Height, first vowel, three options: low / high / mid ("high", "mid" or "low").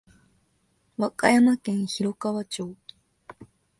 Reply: low